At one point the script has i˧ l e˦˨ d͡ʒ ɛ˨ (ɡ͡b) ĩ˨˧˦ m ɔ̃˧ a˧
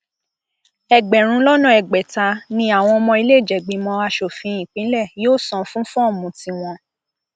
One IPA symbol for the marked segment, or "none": ɡ͡b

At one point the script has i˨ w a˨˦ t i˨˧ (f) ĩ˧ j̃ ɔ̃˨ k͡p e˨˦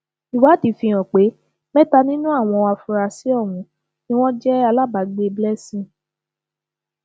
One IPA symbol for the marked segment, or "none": f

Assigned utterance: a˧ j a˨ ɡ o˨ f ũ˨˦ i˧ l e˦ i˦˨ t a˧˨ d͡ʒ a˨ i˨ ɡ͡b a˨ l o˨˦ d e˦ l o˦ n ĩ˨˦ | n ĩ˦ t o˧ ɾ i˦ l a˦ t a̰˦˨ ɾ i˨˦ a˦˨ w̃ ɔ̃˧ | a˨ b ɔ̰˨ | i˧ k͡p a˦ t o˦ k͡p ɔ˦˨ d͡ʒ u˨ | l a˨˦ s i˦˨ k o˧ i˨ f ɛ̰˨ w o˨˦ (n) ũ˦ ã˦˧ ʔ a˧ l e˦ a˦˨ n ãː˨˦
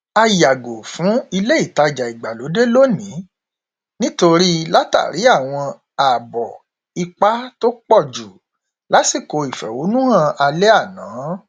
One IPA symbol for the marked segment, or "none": n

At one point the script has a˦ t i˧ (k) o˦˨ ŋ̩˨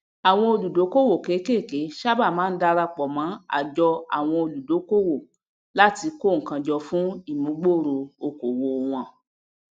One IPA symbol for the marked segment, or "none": k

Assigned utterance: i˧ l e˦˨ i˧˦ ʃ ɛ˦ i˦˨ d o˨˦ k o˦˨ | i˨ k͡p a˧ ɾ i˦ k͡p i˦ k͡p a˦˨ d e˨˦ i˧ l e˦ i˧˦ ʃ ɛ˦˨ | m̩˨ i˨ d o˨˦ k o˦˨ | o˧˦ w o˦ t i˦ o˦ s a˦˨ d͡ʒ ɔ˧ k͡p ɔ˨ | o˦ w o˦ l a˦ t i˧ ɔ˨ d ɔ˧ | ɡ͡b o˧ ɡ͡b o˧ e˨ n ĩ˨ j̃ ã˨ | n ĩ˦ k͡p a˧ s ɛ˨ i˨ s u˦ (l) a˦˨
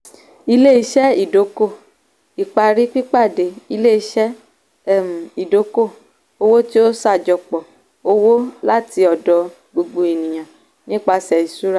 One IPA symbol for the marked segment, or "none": ɾ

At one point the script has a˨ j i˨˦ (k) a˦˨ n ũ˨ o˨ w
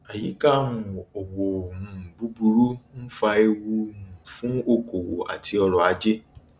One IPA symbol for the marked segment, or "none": k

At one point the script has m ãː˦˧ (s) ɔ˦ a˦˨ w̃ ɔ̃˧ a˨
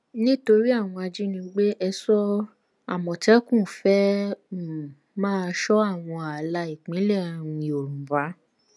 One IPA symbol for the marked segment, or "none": ʃ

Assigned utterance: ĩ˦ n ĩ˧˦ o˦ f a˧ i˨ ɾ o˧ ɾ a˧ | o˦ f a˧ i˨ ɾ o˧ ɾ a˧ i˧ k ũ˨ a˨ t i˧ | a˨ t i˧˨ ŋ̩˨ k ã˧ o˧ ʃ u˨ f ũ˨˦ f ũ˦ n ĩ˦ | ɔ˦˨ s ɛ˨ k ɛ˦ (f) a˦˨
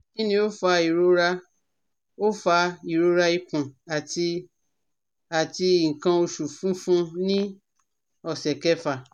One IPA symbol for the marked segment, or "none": f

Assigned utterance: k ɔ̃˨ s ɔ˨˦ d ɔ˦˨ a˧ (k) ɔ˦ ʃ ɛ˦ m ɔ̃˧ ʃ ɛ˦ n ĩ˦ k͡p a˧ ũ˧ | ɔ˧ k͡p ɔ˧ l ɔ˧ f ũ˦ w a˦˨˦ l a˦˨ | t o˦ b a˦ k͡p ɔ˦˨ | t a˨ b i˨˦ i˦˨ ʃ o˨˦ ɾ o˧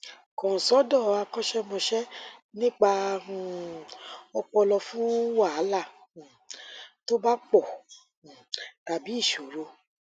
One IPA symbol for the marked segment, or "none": k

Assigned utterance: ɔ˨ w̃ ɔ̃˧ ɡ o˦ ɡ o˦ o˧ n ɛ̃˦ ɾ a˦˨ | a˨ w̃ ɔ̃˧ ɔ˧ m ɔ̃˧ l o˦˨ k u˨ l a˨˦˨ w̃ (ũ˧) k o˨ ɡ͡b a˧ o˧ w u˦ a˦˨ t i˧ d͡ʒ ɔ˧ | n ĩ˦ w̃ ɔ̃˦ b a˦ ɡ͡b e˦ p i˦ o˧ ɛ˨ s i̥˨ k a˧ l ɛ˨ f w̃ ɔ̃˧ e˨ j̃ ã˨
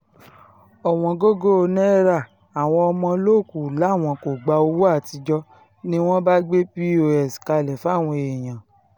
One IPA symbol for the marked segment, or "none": ɔ̃˧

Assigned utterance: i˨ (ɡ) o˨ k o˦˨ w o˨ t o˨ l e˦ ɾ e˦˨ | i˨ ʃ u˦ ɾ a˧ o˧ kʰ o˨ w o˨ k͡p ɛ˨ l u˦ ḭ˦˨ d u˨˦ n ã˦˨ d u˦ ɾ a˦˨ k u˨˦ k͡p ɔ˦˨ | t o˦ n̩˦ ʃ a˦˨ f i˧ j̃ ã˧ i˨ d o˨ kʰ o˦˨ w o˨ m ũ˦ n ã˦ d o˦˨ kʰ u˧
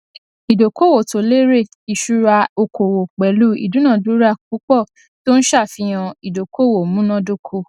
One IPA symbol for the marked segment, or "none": d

